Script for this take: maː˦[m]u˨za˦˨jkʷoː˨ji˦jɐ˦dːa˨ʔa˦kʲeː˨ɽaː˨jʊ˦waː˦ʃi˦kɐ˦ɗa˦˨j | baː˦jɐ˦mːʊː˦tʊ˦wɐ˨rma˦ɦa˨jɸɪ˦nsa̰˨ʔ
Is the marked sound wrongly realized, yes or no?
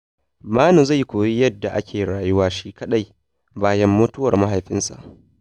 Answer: yes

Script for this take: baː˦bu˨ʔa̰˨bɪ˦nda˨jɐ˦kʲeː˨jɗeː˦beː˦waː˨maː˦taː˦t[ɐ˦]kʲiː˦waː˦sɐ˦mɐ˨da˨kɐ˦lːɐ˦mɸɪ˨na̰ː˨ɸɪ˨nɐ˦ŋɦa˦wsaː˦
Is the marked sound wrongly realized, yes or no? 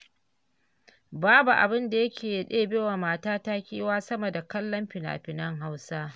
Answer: yes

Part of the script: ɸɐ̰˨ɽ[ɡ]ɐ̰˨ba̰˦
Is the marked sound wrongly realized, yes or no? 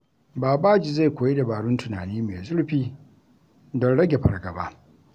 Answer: no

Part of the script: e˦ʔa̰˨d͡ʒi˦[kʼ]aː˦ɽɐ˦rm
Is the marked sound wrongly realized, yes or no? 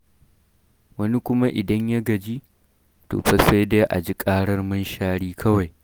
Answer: no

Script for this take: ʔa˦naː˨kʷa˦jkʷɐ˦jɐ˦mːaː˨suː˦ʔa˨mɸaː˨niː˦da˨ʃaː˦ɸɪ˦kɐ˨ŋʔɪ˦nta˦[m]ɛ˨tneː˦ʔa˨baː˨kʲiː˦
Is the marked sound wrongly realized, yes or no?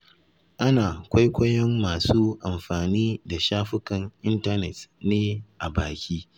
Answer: yes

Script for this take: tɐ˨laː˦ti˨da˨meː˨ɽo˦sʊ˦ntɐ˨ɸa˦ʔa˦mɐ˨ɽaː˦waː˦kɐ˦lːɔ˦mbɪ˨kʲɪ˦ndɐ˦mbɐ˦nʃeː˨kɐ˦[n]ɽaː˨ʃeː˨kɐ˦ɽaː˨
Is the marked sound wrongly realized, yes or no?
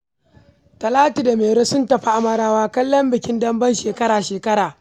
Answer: yes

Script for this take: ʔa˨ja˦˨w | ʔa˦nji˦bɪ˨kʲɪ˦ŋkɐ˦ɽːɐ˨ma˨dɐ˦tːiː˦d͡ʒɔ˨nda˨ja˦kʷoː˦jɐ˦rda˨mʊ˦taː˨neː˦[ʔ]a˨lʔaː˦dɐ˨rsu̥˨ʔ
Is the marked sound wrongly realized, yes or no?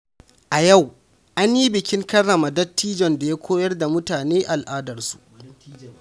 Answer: no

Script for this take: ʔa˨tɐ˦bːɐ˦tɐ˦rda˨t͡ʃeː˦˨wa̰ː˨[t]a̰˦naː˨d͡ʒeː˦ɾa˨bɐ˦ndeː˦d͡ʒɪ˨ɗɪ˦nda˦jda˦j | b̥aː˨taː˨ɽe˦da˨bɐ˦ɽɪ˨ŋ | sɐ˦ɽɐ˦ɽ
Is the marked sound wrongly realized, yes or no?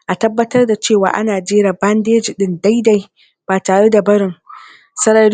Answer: yes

